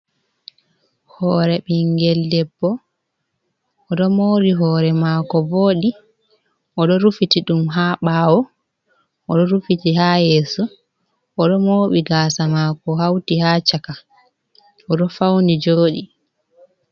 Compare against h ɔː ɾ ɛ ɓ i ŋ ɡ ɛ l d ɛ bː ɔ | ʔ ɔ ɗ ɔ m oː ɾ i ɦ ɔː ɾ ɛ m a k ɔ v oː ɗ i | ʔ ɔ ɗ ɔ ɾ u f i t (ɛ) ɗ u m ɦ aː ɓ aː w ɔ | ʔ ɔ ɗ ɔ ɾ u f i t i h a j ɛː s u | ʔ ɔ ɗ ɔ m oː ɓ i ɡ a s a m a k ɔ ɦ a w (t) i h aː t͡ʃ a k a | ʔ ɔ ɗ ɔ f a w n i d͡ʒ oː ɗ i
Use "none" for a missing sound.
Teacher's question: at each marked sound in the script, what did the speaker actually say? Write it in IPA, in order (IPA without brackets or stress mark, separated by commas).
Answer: i, t